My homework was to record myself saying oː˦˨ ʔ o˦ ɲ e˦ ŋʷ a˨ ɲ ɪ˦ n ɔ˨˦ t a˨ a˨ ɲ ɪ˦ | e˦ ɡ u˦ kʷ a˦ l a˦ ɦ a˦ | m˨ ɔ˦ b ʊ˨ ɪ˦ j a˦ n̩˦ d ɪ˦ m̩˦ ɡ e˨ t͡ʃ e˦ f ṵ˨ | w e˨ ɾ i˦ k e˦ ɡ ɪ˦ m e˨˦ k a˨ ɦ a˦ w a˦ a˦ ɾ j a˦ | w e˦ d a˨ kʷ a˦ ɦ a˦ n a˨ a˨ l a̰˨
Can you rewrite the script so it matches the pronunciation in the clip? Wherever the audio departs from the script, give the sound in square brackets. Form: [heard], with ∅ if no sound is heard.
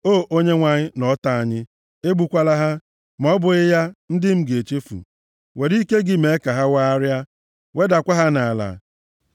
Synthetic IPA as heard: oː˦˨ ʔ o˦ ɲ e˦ ŋʷ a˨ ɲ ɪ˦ n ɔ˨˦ t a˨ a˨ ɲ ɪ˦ | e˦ [ɡ͡b] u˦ kʷ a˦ l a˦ ɦ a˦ | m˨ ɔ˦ b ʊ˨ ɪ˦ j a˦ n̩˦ d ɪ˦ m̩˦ ɡ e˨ t͡ʃ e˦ f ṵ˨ | w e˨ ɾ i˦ k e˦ ɡ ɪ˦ m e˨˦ k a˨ ɦ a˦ w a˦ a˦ ɾ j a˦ | w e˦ d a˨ kʷ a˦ ɦ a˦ n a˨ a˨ l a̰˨